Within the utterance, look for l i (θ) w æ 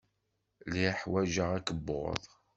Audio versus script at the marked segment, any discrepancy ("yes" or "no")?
yes